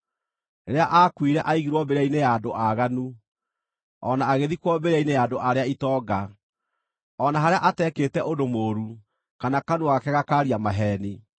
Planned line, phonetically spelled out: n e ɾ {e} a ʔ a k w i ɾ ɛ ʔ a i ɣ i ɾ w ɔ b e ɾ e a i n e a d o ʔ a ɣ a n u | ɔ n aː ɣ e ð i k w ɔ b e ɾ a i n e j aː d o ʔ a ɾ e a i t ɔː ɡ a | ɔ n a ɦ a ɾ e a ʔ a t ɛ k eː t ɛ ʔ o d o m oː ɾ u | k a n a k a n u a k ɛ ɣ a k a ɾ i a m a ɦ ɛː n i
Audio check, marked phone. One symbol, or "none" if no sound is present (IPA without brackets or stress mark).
e